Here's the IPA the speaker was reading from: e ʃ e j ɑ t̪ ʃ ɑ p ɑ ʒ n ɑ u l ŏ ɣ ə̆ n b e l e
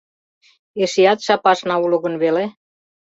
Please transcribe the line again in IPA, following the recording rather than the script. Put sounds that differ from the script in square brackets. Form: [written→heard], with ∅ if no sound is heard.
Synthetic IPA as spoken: e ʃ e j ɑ t̪ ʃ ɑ p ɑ [ʒ→ʃ] n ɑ u l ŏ ɣ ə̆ n [b→β] e l e